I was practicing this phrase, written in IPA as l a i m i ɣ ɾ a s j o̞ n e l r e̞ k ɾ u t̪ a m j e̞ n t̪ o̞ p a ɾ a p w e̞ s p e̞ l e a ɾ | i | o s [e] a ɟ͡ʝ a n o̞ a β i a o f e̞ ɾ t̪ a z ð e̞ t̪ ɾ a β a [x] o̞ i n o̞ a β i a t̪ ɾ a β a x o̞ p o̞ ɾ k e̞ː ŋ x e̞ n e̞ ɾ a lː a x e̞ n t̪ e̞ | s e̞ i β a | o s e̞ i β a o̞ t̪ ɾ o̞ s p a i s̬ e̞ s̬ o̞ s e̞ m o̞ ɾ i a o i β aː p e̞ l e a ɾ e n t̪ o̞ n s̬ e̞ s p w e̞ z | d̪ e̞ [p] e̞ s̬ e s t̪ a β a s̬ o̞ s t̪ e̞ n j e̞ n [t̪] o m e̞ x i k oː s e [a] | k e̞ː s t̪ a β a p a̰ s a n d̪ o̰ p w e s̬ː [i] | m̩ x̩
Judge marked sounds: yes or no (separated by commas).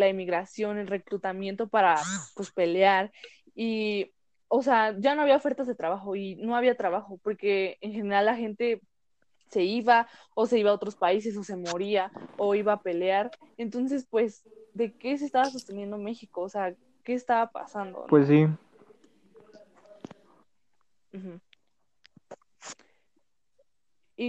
yes, yes, no, no, yes, yes